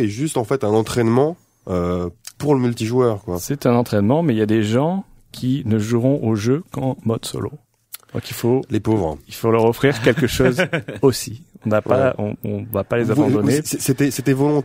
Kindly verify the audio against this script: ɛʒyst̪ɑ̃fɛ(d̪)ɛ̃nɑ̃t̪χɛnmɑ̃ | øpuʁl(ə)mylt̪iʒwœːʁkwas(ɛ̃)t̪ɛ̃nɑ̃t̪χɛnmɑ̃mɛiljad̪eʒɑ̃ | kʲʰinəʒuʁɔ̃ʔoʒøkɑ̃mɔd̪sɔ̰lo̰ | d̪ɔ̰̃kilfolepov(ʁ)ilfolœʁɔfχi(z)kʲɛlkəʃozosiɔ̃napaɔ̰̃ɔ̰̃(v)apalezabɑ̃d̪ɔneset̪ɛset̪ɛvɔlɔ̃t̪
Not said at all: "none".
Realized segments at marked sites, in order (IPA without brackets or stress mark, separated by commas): t̪, ə, ɛ, ʁ, ʁ, v